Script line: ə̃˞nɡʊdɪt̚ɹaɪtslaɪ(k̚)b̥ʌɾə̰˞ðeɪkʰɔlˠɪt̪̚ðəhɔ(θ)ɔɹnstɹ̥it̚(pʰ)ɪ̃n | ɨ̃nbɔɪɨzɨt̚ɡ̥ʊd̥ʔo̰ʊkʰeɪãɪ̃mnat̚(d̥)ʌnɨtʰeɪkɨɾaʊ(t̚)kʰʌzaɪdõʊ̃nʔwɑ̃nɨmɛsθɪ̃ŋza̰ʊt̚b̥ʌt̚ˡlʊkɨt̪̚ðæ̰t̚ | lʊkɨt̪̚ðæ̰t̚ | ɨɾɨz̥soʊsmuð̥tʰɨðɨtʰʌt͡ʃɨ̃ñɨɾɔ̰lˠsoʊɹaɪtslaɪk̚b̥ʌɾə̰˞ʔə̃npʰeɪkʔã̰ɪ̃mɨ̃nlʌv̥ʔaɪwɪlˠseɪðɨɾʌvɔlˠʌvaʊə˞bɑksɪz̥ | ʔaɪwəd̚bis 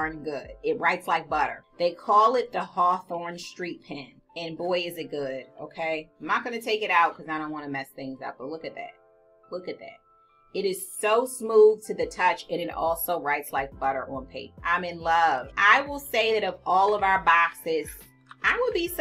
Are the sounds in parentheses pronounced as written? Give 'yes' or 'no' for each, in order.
yes, yes, yes, no, yes

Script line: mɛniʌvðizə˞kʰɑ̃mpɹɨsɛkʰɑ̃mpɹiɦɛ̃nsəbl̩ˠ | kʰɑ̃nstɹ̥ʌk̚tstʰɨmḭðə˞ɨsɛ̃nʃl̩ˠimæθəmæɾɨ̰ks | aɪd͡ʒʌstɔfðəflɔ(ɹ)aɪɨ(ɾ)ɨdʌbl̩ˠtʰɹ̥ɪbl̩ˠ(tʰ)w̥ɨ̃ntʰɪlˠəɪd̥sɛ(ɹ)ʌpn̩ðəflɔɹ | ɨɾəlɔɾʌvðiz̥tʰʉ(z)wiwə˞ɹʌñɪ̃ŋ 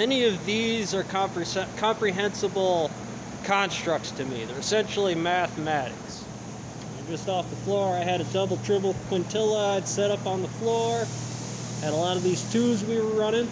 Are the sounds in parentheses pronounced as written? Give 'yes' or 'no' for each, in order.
yes, yes, no, no, yes

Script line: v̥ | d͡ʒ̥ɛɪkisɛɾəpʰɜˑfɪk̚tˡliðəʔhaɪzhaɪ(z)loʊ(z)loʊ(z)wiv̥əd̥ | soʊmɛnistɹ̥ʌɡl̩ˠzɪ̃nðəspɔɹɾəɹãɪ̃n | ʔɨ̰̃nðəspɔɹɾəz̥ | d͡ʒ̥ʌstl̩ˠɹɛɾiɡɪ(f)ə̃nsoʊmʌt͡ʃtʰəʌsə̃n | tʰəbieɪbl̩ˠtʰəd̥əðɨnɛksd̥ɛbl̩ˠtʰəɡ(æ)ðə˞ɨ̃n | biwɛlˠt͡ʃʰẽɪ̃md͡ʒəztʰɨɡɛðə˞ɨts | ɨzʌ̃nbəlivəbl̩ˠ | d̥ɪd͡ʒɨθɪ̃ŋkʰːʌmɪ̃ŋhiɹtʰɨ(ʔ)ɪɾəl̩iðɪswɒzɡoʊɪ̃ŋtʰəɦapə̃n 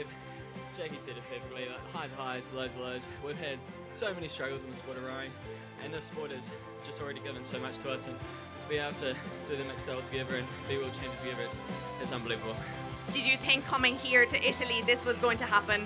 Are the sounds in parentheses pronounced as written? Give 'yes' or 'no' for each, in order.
yes, yes, yes, no, no, yes

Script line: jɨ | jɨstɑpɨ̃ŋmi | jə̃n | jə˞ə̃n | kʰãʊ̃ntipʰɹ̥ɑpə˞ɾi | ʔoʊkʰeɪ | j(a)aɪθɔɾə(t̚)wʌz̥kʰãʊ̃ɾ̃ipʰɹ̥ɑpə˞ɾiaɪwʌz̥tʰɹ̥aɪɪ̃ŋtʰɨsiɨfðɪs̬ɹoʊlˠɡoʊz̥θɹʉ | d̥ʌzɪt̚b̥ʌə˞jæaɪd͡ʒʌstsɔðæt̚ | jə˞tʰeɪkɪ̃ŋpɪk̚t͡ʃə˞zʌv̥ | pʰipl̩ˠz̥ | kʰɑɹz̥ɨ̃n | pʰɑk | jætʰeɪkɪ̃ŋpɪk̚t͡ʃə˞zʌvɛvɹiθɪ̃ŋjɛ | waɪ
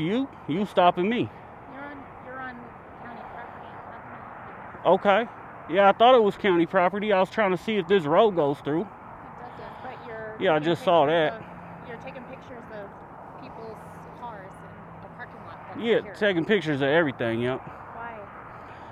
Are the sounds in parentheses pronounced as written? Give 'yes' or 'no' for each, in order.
no, yes

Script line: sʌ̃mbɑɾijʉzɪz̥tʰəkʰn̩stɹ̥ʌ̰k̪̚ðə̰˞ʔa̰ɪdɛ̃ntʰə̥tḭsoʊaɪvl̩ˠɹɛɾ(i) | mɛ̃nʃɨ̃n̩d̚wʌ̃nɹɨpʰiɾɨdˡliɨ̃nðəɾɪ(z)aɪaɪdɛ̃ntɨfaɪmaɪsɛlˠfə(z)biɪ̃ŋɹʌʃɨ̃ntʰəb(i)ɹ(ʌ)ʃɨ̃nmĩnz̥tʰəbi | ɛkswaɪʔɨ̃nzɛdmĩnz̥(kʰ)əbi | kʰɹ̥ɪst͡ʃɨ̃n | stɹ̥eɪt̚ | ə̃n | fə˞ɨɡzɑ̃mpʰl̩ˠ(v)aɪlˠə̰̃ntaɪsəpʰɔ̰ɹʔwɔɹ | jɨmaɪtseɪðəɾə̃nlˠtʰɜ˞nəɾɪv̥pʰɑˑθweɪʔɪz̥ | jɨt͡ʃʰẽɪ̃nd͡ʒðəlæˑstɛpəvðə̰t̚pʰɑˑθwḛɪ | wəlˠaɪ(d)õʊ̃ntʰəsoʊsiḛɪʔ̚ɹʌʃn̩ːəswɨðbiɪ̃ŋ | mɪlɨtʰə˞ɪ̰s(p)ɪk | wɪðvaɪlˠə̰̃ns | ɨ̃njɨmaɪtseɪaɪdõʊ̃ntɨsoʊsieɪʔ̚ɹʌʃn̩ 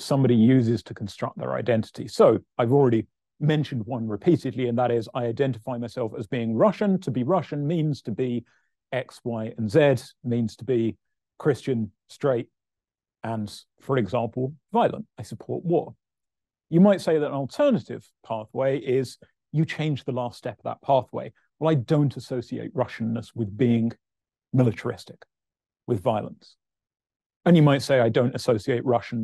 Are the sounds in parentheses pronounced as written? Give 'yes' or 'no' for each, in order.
yes, yes, yes, yes, yes, no, yes, yes, no

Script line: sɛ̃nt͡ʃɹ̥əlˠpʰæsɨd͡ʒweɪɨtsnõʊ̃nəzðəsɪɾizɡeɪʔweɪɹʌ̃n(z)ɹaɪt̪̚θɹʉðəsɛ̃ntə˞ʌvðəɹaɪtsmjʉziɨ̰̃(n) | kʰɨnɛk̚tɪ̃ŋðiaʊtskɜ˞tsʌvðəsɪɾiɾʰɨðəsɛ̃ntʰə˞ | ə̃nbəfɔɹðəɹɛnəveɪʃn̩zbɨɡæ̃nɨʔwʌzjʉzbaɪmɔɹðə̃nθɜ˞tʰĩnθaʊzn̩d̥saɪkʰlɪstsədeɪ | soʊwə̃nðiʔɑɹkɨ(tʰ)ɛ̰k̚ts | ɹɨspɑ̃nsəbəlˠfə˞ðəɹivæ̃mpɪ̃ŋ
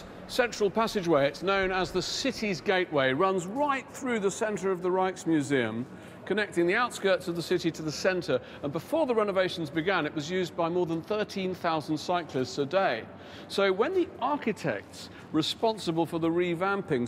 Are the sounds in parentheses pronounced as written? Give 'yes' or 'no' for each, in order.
yes, no, yes

